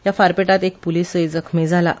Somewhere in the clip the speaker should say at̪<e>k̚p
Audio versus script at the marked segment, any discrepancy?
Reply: no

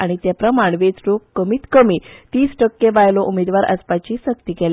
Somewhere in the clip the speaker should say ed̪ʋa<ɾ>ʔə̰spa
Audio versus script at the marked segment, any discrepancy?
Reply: no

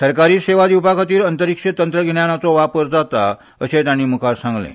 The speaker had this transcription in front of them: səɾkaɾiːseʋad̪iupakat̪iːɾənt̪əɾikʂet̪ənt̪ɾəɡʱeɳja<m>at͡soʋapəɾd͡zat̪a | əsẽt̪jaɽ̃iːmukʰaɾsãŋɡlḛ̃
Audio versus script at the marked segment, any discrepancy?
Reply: yes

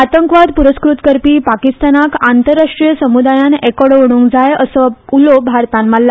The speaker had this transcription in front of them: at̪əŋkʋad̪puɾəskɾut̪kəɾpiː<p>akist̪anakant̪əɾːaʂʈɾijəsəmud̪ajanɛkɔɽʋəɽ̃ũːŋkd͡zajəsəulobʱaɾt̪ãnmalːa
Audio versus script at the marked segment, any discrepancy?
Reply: no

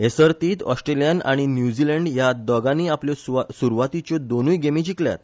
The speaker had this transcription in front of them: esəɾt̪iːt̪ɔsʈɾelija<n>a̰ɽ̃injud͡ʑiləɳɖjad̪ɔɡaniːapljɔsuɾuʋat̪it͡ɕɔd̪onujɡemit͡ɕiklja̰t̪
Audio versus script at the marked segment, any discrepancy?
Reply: no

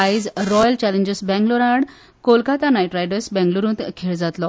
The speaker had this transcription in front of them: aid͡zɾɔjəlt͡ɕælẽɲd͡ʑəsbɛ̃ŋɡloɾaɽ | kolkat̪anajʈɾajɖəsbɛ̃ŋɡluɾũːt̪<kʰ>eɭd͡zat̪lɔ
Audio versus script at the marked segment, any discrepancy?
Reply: no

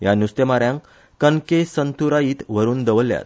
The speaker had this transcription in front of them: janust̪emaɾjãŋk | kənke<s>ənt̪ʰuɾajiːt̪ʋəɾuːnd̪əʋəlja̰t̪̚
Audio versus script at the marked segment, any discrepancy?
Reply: no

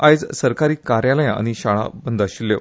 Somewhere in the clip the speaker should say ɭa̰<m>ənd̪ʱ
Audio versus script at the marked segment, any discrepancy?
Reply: yes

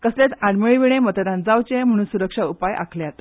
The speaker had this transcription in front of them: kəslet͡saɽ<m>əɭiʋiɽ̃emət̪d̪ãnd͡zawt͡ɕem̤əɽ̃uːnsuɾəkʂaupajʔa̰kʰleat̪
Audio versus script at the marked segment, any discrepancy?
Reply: no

